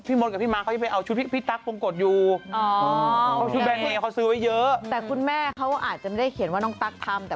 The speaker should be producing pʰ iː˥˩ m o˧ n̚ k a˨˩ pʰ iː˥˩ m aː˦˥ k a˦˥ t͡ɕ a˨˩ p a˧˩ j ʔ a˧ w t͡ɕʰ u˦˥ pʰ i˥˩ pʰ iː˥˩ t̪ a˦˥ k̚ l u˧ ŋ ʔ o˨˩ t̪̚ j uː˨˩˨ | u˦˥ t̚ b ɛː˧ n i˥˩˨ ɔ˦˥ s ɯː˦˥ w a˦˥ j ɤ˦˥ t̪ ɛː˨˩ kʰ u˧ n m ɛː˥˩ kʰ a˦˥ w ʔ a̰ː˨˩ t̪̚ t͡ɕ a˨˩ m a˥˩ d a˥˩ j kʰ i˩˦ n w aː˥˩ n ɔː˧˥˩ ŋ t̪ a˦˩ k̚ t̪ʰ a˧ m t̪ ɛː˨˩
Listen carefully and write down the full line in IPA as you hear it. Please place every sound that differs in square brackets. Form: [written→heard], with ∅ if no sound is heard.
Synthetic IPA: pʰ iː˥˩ m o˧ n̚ k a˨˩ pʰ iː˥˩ m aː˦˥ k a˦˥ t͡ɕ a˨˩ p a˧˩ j ʔ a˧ w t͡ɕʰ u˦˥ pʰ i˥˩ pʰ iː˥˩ t̪ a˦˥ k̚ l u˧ ŋ [ʔ→k] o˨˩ t̪̚ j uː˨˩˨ | u˦˥ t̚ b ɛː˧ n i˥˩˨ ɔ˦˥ s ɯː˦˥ w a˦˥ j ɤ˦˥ t̪ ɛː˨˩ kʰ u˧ n m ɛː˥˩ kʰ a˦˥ w ʔ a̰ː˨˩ t̪̚ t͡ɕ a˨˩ m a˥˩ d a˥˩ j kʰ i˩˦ n w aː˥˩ n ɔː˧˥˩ ŋ t̪ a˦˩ k̚ t̪ʰ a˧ m t̪ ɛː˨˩

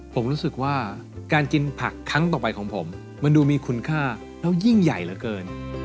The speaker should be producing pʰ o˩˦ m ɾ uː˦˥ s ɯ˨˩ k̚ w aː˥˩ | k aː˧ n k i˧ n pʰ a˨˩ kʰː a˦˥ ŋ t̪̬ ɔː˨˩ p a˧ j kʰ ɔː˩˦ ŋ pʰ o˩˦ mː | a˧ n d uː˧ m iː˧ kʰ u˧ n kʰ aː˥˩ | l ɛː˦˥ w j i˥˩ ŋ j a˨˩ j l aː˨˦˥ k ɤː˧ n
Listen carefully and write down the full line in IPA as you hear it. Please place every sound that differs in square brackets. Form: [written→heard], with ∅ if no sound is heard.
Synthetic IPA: pʰ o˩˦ m ɾ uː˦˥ s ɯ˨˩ k̚ w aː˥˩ | k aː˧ n k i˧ n pʰ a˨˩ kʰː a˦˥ ŋ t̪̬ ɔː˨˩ p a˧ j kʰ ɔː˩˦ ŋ pʰ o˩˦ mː | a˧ n d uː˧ m iː˧ kʰ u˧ n kʰ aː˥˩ | l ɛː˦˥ w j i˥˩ ŋ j a˨˩ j l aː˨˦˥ k ɤː˧ n

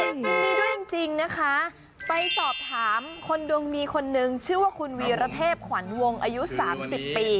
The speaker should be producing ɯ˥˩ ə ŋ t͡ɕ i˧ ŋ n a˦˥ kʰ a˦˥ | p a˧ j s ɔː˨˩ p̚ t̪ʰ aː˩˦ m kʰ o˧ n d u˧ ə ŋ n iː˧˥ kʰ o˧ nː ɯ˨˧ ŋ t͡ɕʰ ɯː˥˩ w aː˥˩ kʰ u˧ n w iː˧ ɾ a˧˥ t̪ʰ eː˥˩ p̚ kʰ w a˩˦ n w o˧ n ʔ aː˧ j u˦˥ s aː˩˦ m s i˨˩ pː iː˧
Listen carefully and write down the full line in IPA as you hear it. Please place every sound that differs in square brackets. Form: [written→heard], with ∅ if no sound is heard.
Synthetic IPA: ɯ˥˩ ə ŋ t͡ɕ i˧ ŋ n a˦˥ kʰ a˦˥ | p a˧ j s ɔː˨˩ p̚ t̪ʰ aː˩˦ m kʰ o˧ n d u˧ ə ŋ n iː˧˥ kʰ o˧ nː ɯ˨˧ ŋ t͡ɕʰ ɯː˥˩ w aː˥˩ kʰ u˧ n w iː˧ ɾ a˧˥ t̪ʰ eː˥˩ p̚ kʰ w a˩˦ n w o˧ [n→ŋ] ʔ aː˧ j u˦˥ s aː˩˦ m s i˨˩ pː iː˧

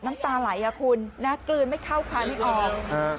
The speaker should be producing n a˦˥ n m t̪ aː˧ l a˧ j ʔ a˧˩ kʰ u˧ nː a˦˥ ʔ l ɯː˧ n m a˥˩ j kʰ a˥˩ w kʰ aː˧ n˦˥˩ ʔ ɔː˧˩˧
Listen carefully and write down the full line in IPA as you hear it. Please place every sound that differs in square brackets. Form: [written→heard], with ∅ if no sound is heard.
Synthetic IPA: n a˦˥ [n→∅] m t̪ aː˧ l [a˧→a˩˦] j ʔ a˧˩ kʰ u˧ nː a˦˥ [ʔ→k] l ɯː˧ n m a˥˩ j kʰ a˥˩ w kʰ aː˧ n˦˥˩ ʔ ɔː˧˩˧

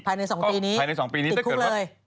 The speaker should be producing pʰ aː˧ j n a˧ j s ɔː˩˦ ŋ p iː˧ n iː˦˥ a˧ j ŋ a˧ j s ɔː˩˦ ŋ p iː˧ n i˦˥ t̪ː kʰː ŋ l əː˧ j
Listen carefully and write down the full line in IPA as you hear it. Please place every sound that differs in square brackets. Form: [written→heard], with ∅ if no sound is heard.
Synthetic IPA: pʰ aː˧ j n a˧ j s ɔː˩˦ ŋ p iː˧ n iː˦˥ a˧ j [ŋ→n] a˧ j s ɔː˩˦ ŋ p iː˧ n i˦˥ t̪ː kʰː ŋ l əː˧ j

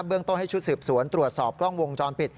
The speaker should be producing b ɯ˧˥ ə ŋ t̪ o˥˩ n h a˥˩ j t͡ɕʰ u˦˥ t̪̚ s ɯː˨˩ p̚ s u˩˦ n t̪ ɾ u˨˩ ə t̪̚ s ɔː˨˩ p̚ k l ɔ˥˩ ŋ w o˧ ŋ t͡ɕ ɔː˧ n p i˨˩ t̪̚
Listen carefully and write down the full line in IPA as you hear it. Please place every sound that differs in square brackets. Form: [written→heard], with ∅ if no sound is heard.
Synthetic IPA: b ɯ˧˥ ə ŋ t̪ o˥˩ n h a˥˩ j t͡ɕʰ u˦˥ t̪̚ s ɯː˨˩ p̚ s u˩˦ n t̪ ɾ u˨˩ ə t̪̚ s ɔː˨˩ p̚ k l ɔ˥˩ ŋ w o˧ ŋ t͡ɕ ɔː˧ n p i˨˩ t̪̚

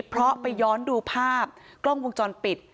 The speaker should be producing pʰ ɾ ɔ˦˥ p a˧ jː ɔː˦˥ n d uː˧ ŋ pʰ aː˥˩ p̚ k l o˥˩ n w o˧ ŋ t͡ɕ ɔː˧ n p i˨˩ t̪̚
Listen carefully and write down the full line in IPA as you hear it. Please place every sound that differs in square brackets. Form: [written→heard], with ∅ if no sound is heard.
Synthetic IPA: pʰ ɾ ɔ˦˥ p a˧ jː ɔː˦˥ n d uː˧ [ŋ→∅] pʰ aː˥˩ p̚ k l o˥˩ [n→ŋ] w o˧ ŋ t͡ɕ ɔː˧ n p i˨˩ t̪̚

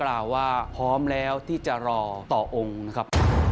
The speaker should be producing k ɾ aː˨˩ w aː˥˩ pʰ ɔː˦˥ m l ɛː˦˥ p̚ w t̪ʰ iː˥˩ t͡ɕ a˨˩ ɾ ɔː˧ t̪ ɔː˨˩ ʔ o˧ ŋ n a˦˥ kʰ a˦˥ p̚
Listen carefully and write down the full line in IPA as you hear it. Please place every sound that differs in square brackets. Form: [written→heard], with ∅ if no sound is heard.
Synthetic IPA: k [ɾ→l] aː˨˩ [w→wː] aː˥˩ pʰ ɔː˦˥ m l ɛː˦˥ [p̚→∅] w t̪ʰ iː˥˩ t͡ɕ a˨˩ ɾ ɔː˧ t̪ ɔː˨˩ ʔ o˧ ŋ n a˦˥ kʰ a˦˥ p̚

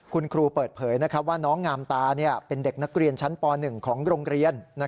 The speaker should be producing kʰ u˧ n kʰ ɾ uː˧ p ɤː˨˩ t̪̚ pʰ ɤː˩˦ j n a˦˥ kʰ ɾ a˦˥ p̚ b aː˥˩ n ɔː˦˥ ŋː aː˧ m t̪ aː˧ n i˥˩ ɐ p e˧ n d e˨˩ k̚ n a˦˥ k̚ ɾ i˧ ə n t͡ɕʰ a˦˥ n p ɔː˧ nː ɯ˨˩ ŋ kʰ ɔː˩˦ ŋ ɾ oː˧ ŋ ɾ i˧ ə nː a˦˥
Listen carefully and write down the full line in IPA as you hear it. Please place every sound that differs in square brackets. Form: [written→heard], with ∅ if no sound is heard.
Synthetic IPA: kʰ u˧ n kʰ ɾ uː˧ p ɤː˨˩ t̪̚ pʰ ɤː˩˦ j n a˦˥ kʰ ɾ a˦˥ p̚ [b→w] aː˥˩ n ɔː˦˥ ŋː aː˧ m t̪ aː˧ n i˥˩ ɐ p e˧ n d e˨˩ k̚ n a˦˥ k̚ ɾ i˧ ə n t͡ɕʰ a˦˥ n p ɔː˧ [nː→n] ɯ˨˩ ŋ kʰ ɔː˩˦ ŋ ɾ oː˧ ŋ ɾ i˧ ə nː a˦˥

